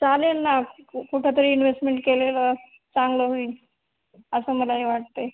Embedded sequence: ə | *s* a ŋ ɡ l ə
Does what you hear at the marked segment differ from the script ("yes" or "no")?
yes